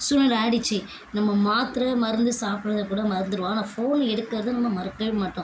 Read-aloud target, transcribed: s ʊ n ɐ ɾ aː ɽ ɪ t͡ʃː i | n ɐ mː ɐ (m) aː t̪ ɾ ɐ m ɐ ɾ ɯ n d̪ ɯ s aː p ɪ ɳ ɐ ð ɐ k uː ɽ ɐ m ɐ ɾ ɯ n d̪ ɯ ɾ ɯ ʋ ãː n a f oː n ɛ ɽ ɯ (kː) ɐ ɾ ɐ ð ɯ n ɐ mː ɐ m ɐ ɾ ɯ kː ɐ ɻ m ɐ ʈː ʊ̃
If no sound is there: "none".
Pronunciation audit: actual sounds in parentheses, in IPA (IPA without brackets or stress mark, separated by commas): m, kː